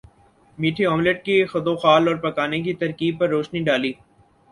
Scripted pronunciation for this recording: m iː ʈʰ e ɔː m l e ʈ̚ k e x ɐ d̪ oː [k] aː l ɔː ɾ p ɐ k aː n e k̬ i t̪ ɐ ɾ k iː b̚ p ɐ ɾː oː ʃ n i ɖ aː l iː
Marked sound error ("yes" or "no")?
yes